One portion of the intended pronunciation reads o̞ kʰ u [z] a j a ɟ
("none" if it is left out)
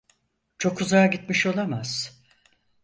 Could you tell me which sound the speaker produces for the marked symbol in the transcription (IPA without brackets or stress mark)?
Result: z